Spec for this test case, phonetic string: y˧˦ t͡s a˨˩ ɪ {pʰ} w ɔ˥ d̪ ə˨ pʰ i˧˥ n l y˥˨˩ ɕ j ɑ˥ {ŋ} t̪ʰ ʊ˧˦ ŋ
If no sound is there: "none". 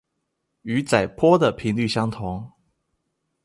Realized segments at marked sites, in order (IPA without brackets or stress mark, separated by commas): pʰ, ŋ